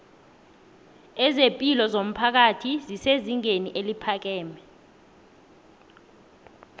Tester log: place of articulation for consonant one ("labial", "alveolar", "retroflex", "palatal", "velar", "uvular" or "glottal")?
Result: alveolar